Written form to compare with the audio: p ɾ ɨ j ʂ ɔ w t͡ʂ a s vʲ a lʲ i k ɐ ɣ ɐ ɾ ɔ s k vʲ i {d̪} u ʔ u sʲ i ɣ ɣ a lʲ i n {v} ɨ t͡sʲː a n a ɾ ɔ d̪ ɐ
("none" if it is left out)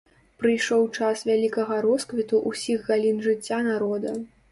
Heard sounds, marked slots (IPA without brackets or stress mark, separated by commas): t̪, ʐ